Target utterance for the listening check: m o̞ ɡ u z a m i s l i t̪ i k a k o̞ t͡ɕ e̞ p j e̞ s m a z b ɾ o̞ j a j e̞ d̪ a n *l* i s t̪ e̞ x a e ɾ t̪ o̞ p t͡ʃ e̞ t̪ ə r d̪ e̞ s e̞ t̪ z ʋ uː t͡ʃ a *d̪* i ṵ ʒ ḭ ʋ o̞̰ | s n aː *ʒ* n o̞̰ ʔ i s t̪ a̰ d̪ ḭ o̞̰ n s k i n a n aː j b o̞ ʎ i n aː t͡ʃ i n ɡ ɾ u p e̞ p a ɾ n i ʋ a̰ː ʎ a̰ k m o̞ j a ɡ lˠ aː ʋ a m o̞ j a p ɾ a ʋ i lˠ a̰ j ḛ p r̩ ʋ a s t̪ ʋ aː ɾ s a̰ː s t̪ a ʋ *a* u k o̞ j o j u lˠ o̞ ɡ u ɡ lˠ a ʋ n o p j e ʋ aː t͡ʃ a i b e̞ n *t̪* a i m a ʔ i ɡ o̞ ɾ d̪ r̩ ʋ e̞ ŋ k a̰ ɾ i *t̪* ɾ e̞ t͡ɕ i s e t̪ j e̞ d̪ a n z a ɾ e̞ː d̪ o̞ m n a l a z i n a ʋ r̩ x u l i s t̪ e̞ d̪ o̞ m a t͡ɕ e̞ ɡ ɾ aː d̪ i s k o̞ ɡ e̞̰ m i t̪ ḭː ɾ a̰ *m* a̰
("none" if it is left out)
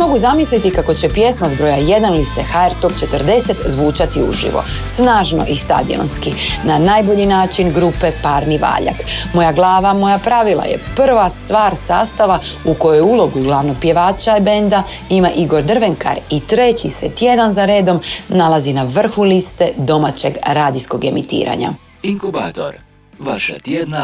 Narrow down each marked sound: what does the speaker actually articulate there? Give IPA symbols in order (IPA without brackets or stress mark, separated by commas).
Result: l, t̪, ʒ, a, d̪, t̪, ɲ